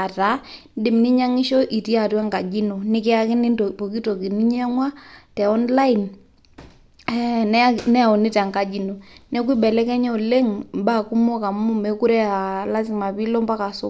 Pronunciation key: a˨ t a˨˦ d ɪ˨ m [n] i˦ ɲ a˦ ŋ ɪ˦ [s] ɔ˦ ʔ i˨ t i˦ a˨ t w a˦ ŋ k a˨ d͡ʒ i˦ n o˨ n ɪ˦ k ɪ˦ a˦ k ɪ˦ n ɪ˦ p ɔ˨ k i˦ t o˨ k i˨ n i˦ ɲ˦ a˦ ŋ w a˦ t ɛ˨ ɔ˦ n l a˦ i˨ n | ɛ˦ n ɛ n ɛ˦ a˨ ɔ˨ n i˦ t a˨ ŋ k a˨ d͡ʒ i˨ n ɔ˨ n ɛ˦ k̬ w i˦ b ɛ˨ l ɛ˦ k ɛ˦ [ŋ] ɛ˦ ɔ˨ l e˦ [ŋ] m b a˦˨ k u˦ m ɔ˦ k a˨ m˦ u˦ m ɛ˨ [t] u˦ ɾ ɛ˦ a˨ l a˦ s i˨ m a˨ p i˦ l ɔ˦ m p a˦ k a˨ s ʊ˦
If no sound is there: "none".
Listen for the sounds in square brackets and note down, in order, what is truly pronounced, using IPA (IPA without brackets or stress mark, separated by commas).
n, ʃ, ɲ, ŋ, k